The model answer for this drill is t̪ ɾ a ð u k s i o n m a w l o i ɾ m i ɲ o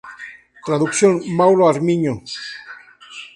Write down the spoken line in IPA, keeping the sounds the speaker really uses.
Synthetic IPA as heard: t̪ ɾ a ð u k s j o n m a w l o a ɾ m i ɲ o

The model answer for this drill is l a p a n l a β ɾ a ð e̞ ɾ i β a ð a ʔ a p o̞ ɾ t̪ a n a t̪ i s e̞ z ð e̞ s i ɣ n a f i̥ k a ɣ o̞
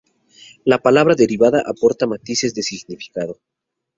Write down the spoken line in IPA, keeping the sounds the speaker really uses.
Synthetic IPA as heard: l a p a l a β ɾ a ð e̞ ɾ i β a ð a ʔ a p o̞ ɾ t̪ a m a t̪ i s e̞ z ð e̞ s i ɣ n i f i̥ k a ð o̞

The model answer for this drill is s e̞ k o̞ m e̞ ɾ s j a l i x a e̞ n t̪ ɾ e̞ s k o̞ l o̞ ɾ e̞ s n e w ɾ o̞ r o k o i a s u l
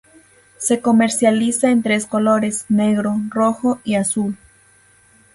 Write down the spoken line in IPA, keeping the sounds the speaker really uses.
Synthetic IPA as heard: s e̞ k o̞ m e̞ ɾ s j a l i s a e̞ n t̪ ɾ e̞ s k o̞ l o̞ ɾ e̞ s n e ɣ ɾ o̞ r o x o i a s u l

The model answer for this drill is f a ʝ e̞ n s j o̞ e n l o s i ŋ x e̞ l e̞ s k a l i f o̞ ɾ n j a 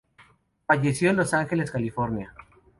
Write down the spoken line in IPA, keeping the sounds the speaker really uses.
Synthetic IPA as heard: f a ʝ e̞ s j o̞ e n l o s a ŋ x e̞ l e̞ s k a l i f o̞ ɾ n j a

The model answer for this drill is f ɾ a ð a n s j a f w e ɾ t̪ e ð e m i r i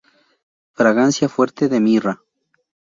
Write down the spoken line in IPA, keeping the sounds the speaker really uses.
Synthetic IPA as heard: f ɾ a ɣ a n s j a f w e ɾ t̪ e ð e m i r a

